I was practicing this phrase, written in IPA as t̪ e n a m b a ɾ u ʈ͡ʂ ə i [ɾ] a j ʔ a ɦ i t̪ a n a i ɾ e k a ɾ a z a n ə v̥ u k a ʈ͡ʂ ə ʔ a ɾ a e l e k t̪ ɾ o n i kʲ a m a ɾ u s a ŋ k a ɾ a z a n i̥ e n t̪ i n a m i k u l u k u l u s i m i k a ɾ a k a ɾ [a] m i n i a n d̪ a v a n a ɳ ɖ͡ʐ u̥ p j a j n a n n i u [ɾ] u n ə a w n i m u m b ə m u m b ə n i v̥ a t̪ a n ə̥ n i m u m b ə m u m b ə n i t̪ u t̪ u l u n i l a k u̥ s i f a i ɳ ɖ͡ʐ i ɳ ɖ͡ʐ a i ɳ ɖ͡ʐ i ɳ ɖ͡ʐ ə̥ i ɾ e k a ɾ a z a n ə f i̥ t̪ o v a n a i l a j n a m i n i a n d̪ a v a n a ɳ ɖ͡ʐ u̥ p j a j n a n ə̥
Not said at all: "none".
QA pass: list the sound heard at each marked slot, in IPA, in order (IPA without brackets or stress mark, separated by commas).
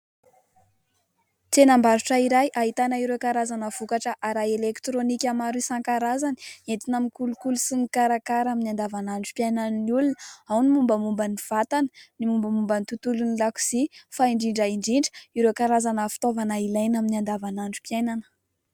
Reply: ɾ, a, l